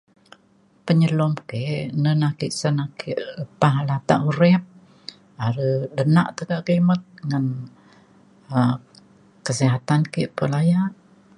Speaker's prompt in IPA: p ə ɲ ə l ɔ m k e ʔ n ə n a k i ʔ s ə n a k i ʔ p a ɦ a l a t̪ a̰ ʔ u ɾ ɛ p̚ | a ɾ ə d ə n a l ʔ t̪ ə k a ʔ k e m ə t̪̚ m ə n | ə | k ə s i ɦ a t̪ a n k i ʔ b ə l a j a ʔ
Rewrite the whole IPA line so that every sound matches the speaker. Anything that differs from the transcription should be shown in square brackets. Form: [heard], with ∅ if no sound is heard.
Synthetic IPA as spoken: p ə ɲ ə l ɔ m k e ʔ n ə n a k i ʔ s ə n a k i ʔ p a ɦ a l a t̪ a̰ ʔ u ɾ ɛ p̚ | a ɾ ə d ə n a [∅] ʔ t̪ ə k a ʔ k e m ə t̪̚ [ŋ] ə n | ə | k ə s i ɦ a t̪ a n k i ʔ [p] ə l a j a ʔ